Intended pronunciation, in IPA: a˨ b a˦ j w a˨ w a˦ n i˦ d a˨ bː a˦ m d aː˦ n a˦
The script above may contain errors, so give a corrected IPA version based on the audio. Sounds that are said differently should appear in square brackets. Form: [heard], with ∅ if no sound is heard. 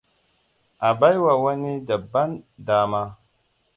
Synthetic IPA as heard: a˨ b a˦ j w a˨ w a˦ n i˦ d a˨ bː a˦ [n] d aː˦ [m] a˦